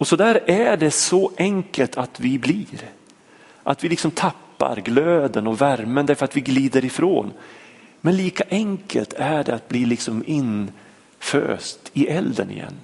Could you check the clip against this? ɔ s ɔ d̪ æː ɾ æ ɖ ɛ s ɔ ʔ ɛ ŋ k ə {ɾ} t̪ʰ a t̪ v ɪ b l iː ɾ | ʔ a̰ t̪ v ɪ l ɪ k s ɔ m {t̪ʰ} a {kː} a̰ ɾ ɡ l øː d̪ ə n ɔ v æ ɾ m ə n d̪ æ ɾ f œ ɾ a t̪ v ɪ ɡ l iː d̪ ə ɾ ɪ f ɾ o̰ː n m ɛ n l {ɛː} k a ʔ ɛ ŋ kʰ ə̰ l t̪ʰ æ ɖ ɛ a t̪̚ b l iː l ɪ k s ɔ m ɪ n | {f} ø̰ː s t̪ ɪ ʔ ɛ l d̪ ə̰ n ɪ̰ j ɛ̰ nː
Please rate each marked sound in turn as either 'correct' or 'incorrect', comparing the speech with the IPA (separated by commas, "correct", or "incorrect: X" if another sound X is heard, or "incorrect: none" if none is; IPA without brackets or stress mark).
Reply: incorrect: l, correct, incorrect: pː, incorrect: iː, correct